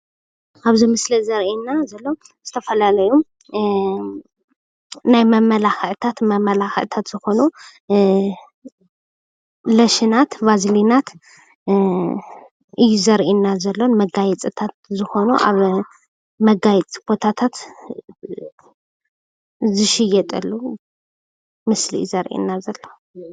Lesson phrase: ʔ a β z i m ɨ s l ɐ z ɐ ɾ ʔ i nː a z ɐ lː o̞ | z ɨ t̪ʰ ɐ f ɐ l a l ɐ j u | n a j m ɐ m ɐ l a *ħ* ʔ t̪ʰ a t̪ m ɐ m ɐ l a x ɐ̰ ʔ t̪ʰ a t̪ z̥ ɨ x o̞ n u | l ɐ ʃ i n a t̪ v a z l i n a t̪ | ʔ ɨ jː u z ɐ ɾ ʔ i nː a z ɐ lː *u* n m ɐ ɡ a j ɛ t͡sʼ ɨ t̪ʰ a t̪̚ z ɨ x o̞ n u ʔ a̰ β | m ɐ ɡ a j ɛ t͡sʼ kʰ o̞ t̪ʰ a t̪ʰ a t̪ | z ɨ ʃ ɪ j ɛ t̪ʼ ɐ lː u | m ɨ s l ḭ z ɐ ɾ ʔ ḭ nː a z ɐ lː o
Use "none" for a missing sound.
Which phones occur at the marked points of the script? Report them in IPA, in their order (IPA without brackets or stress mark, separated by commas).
x, o